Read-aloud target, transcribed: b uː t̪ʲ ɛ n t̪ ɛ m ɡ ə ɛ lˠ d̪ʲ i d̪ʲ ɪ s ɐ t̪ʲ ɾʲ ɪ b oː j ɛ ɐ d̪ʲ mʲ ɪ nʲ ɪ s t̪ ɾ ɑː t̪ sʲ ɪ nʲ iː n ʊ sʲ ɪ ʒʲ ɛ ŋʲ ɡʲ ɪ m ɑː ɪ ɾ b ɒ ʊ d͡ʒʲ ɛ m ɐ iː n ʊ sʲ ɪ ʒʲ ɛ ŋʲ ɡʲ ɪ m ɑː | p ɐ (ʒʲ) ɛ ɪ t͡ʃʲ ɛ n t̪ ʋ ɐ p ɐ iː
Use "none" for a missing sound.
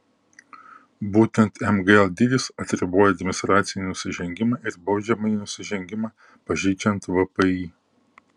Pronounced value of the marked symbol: ʒʲ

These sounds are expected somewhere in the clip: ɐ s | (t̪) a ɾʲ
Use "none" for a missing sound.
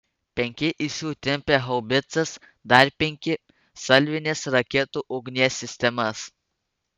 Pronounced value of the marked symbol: d̪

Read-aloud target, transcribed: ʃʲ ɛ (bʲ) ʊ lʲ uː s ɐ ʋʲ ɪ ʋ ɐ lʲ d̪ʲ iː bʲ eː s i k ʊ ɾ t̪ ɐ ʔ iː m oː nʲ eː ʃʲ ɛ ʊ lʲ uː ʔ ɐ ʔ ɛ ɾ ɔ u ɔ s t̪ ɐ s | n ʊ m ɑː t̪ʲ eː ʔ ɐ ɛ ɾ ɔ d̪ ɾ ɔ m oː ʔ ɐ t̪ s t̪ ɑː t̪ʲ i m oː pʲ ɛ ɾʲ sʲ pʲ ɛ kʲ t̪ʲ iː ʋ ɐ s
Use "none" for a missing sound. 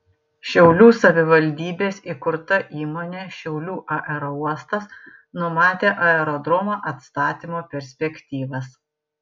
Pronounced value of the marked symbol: none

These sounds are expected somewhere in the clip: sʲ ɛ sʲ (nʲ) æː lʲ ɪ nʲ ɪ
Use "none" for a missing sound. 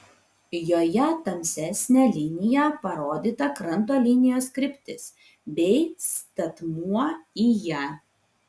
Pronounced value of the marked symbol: nʲ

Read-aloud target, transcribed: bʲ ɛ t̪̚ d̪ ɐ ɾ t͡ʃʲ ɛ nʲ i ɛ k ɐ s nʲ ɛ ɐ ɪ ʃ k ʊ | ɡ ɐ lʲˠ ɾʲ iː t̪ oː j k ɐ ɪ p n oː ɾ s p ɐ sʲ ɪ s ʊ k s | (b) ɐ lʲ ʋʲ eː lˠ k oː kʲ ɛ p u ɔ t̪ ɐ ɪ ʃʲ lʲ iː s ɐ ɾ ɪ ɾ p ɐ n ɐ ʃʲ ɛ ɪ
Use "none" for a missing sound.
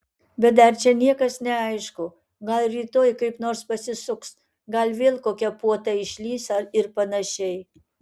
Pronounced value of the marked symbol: ɡ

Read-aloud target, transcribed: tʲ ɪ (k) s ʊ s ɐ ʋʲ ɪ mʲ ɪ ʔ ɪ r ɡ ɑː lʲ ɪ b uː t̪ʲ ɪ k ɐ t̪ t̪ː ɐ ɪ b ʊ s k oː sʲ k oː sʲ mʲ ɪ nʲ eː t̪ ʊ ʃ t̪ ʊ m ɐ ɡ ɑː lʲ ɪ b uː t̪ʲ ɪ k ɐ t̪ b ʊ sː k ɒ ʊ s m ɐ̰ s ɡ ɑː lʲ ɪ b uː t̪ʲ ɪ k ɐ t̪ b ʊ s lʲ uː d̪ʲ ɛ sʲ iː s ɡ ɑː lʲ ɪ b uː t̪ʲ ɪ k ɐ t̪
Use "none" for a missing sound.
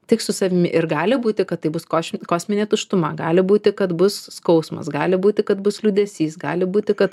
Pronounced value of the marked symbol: k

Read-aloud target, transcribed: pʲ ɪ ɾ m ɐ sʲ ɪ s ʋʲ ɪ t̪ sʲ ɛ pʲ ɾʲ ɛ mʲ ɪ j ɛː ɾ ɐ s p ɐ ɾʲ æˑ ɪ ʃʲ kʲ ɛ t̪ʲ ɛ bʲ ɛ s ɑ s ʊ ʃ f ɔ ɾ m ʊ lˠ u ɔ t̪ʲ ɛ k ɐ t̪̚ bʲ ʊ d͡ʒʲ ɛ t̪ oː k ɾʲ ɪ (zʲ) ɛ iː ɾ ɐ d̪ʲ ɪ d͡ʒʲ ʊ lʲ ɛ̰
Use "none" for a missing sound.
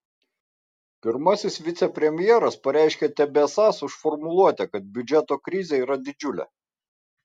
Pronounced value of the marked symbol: zʲ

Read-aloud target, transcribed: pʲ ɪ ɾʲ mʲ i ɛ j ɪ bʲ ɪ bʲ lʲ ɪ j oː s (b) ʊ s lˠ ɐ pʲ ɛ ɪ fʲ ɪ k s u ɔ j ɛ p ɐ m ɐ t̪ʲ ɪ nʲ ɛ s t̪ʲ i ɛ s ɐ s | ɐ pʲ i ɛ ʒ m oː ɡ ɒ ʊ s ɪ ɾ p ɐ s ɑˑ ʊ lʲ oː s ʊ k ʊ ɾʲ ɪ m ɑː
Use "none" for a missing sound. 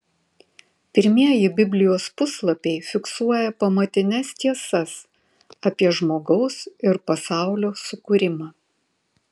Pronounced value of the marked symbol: p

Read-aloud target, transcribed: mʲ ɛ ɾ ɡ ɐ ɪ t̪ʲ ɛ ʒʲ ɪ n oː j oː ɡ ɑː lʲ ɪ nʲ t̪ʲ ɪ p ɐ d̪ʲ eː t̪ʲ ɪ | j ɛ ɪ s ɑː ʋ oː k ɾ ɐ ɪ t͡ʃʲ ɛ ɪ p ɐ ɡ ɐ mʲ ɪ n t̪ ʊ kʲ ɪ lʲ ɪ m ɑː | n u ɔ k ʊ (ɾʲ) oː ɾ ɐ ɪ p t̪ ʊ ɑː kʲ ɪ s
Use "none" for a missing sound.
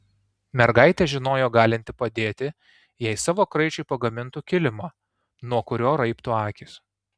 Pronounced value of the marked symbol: ɾʲ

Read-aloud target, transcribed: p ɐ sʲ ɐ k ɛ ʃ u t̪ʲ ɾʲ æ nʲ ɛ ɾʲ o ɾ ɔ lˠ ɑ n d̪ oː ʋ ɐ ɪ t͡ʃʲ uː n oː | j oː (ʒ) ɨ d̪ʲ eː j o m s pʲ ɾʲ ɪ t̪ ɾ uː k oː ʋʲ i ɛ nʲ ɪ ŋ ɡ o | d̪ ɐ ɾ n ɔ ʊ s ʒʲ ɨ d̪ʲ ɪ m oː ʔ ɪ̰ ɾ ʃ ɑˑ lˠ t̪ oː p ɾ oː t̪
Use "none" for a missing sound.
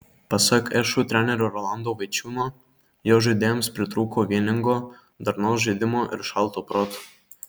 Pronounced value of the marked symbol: ʒ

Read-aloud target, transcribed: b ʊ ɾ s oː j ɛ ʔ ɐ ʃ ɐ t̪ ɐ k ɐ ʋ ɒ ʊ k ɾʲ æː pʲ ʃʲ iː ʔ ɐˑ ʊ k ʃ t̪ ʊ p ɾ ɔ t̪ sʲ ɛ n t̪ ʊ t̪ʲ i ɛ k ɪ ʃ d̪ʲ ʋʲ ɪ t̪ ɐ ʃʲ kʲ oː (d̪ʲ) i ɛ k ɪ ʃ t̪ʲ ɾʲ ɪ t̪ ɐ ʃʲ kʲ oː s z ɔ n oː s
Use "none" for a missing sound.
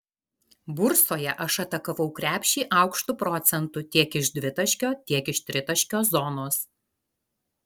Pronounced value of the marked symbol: t̪ʲ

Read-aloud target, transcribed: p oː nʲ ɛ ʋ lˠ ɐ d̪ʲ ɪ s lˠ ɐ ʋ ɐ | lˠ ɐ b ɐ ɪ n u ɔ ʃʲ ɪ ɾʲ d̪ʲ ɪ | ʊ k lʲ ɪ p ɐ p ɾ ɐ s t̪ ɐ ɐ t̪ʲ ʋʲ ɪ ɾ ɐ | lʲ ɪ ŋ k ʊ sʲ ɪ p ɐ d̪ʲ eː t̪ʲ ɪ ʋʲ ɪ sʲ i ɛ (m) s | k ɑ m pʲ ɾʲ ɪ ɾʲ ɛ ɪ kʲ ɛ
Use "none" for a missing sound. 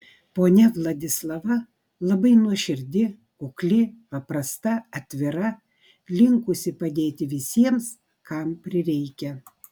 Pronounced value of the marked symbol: m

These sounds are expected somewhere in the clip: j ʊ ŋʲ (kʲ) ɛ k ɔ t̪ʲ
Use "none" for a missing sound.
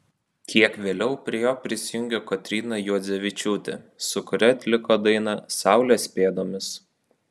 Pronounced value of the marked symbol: ɡʲ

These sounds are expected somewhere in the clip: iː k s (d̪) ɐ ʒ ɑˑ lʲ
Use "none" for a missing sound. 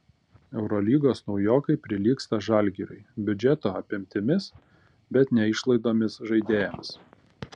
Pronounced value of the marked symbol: t̪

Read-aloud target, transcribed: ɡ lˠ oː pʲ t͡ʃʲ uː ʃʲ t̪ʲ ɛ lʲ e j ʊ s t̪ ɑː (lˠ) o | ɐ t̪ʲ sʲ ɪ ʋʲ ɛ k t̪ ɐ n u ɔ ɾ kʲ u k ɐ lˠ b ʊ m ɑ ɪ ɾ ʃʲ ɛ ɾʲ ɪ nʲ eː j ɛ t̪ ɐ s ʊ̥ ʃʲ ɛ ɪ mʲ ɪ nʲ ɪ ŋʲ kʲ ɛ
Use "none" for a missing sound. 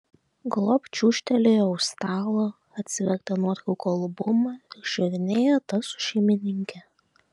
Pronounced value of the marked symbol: lˠ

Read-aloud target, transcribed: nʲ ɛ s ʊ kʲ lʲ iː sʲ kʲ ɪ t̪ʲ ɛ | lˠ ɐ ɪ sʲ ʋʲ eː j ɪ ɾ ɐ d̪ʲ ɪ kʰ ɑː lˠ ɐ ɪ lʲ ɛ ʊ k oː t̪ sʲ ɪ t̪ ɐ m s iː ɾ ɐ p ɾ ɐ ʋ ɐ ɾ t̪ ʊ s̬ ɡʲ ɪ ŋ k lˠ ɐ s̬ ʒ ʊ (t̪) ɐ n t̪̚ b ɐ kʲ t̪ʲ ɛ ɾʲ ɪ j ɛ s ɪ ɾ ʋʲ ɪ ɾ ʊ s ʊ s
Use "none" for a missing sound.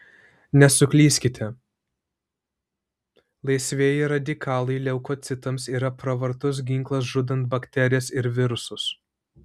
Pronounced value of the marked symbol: d̪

